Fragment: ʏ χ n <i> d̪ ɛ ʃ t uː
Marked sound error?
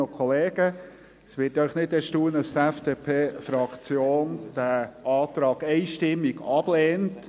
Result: yes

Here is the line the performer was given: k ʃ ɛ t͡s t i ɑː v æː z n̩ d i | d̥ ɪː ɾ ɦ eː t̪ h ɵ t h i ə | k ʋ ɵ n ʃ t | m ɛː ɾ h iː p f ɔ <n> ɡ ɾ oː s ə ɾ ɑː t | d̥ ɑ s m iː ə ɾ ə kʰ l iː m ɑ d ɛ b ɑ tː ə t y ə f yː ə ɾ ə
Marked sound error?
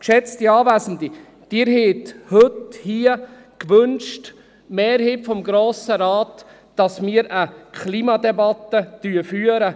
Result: yes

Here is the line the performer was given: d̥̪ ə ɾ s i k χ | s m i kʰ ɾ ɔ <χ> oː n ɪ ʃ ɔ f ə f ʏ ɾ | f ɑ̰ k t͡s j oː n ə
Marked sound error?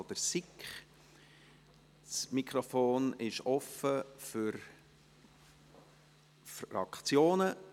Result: yes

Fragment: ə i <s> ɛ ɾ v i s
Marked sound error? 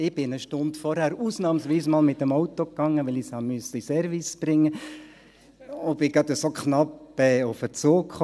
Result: no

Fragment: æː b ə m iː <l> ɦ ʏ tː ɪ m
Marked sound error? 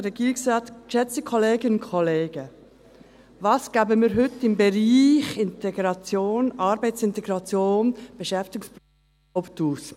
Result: yes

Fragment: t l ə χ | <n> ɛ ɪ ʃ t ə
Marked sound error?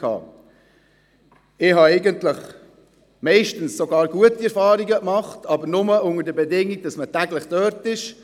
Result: yes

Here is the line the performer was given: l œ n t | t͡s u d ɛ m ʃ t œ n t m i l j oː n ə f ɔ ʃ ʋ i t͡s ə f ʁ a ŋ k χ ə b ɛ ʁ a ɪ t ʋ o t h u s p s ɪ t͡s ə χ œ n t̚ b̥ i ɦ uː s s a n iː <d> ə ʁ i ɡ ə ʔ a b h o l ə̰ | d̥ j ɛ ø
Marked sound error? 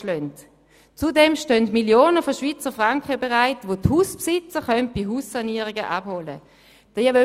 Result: yes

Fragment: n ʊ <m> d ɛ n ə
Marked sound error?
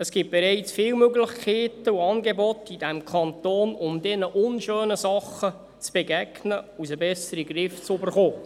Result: no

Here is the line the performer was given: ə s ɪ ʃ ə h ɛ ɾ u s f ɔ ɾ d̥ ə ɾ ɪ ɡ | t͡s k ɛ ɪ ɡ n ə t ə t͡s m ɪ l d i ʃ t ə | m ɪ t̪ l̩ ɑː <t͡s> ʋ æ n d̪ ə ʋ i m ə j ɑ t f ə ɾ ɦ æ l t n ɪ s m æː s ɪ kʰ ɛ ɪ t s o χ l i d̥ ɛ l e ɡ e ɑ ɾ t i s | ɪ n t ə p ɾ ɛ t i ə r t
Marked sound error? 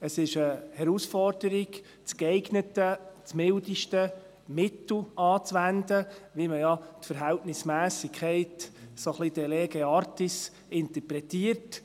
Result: no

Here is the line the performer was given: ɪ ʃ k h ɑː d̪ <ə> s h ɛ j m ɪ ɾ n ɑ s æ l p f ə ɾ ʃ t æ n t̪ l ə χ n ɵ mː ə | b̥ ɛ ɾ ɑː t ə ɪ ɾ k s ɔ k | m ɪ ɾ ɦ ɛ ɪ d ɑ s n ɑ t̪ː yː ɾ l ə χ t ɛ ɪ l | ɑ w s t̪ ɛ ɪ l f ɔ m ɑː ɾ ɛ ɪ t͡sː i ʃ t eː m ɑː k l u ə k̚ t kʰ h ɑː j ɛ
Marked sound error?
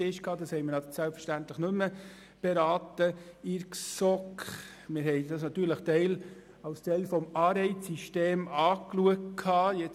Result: yes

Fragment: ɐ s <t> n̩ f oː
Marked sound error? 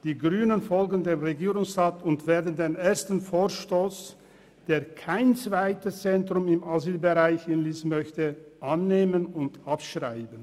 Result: no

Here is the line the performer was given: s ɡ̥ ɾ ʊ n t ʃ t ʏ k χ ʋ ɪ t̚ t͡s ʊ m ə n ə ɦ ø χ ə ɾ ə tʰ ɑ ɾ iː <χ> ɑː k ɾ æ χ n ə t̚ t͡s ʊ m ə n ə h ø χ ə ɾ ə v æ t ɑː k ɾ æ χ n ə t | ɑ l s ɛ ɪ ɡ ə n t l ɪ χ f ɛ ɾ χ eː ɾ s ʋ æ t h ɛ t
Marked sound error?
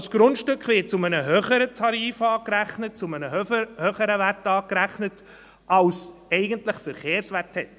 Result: yes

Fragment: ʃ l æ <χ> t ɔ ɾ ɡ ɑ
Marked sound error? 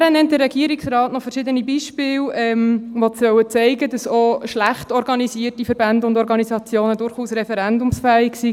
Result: no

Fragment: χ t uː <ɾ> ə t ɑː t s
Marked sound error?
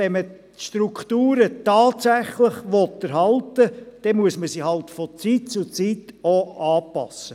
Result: no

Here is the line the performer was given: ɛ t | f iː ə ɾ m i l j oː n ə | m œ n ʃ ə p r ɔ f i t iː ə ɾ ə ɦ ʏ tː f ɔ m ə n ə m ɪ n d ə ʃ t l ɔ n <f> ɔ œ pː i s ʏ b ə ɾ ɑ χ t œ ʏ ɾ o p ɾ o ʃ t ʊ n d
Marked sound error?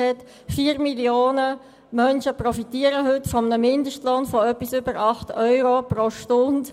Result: no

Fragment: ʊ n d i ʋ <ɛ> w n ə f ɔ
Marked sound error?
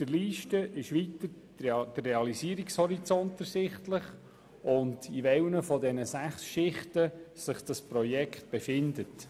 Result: no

